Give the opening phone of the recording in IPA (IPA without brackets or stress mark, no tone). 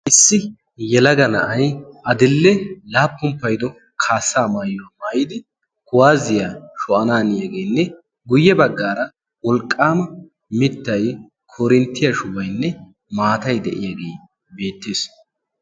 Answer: ʔ